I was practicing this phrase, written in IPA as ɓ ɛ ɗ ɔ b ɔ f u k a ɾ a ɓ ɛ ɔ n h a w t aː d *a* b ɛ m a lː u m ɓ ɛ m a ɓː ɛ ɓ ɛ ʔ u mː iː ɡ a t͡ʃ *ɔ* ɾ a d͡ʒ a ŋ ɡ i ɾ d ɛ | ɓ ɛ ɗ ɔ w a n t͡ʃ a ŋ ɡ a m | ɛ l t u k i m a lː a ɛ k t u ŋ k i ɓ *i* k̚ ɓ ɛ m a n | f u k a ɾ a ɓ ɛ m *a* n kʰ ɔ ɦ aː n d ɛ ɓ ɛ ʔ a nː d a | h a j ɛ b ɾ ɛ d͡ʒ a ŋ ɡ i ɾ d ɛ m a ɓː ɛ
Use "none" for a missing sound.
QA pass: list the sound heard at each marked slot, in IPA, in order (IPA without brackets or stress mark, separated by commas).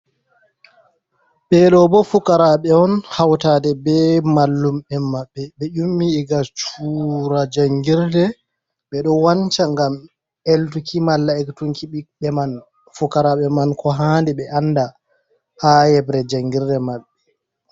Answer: ɛ, u, i, a